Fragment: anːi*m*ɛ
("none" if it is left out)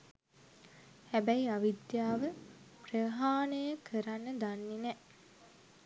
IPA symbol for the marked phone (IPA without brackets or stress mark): n